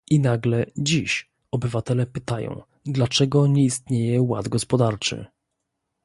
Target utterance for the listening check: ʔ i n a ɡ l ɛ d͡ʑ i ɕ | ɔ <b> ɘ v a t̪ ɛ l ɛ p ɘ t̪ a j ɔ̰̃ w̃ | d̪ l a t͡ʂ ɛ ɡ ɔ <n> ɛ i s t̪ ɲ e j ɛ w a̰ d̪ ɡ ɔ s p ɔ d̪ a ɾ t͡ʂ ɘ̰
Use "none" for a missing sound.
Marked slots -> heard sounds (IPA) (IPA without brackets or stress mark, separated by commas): b, ɲ